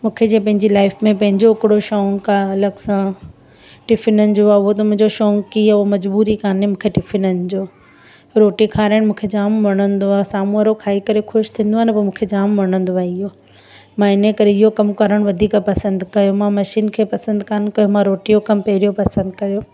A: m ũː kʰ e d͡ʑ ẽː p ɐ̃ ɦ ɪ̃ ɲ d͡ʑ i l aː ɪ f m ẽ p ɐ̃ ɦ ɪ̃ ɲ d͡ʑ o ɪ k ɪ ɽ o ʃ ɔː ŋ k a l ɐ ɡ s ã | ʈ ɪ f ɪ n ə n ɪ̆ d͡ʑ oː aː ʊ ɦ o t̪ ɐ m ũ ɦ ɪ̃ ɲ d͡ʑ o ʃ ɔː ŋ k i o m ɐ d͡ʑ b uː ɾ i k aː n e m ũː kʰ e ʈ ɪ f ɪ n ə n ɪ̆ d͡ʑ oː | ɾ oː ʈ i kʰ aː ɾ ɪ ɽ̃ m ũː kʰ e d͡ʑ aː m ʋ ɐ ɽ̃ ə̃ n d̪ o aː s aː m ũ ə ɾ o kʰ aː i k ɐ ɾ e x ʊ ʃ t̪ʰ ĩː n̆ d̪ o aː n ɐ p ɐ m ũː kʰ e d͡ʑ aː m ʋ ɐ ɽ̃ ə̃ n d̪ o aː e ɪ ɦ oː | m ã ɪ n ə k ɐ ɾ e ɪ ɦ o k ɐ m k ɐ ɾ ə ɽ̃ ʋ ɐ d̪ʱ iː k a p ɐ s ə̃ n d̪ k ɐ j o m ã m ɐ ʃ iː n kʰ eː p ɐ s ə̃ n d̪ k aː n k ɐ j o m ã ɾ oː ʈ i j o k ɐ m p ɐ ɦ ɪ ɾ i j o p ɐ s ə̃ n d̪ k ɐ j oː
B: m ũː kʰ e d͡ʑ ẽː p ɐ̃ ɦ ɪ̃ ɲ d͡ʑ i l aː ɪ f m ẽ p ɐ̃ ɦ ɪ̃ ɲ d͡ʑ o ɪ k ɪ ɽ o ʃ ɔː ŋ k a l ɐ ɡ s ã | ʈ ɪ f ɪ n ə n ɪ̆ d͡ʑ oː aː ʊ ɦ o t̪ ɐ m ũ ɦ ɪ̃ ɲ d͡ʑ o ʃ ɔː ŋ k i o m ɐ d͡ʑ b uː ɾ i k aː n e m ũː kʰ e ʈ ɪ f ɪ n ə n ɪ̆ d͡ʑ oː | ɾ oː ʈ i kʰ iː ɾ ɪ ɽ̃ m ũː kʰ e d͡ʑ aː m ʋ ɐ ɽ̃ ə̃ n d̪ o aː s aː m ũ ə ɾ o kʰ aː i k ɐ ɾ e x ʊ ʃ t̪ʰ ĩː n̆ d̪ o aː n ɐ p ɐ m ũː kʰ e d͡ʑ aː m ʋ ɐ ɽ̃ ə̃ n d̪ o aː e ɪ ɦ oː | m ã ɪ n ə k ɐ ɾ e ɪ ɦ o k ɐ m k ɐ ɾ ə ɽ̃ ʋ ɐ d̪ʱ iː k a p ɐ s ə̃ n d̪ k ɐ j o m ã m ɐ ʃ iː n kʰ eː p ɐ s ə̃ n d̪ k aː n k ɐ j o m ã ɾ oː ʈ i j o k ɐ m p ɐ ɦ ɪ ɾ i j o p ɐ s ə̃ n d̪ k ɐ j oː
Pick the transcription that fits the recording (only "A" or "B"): A